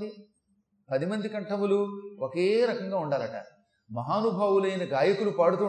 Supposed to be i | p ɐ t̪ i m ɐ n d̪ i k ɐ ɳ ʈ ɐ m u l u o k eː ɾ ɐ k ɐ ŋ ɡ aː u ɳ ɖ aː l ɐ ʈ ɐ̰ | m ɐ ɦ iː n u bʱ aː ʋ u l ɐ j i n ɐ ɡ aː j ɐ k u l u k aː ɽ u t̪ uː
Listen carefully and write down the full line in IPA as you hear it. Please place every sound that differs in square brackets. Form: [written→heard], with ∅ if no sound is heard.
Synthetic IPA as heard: i | p ɐ [t̪→d̪] i m ɐ n d̪ i k ɐ ɳ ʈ ɐ m u l u o k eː ɾ ɐ k ɐ ŋ ɡ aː u ɳ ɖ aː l ɐ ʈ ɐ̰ | m ɐ ɦ [iː→aː] n u bʱ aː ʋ u l ɐ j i n ɐ ɡ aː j ɐ k u l u [k→p] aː ɽ u t̪ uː